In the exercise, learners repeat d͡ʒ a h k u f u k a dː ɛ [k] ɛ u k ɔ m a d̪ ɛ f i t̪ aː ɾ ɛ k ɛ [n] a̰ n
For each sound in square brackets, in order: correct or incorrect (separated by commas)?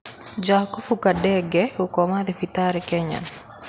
incorrect, incorrect